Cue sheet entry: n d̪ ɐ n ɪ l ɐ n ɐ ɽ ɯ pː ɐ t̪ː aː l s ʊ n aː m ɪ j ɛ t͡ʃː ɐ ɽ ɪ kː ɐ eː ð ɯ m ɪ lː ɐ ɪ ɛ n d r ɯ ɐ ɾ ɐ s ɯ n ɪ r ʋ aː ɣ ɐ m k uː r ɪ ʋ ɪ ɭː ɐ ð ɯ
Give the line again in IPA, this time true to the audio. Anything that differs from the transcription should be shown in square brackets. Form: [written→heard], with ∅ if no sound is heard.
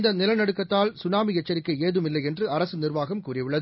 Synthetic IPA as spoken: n d̪ ɐ n ɪ l ɐ n ɐ ɽ ɯ [pː→kː] ɐ t̪ː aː l s ʊ n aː m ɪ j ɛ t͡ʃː ɐ [ɽ→ɾ] ɪ kː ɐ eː ð ɯ m ɪ lː ɐ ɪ ɛ n d r ɯ ɐ ɾ ɐ s ɯ n ɪ r ʋ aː ɣ ɐ m k uː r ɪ ʋ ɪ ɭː ɐ ð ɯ